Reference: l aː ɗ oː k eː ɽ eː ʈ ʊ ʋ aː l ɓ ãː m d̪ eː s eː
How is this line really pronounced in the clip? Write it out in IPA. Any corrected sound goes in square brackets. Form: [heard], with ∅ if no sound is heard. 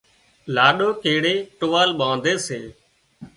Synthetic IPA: l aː ɗ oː k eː ɽ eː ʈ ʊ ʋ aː l ɓ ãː [n] d̪ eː s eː